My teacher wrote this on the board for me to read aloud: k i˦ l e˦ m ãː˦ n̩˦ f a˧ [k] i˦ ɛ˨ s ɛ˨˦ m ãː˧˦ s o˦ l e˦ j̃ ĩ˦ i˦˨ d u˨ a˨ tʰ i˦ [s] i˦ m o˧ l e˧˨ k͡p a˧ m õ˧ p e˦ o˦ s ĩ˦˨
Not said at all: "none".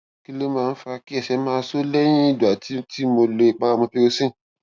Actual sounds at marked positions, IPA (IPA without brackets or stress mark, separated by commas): k, t